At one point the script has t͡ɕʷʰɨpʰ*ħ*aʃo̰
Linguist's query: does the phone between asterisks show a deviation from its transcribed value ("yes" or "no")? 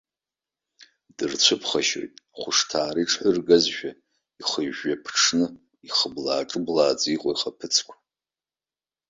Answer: yes